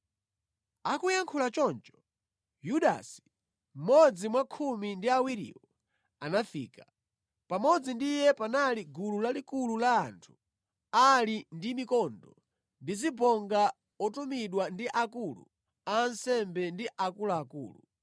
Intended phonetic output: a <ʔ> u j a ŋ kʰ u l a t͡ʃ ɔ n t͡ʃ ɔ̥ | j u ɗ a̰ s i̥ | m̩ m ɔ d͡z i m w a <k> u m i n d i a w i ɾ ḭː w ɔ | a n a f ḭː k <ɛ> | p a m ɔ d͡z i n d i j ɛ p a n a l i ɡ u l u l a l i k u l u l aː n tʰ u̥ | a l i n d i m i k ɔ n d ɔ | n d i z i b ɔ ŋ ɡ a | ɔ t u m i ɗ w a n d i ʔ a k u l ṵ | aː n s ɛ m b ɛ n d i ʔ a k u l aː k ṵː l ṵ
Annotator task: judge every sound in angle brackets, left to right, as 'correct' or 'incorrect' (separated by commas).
incorrect, incorrect, incorrect